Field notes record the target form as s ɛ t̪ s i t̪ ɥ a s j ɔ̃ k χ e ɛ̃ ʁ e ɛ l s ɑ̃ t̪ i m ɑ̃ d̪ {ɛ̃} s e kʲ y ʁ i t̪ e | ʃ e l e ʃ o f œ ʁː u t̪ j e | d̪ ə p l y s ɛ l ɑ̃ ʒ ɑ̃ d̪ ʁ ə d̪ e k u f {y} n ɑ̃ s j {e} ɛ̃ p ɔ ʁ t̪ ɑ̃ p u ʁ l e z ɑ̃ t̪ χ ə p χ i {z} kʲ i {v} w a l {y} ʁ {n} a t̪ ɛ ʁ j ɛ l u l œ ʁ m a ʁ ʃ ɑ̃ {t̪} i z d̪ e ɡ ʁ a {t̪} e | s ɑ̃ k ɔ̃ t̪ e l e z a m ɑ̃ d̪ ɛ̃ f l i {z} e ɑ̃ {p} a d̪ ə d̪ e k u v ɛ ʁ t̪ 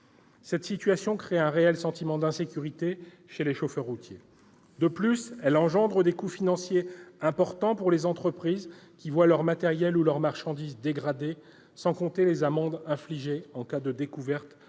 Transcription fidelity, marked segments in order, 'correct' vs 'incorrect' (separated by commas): correct, incorrect, correct, correct, correct, incorrect, incorrect, incorrect, incorrect, incorrect, incorrect